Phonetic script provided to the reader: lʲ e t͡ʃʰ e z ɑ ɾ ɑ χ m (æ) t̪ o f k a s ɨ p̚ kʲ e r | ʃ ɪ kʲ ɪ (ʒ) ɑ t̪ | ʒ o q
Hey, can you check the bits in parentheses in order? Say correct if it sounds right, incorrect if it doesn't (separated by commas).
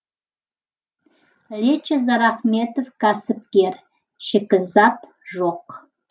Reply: incorrect, incorrect